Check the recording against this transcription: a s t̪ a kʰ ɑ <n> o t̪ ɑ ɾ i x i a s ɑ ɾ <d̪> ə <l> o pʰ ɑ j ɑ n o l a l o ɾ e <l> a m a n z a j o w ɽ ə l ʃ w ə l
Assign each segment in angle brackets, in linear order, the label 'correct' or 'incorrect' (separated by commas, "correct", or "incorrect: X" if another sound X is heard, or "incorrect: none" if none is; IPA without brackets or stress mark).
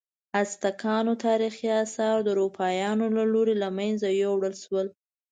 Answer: correct, correct, incorrect: ɾ, correct